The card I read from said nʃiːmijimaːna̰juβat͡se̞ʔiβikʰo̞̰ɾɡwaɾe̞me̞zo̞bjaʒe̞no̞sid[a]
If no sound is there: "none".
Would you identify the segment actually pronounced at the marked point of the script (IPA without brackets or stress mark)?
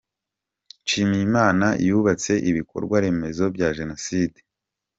e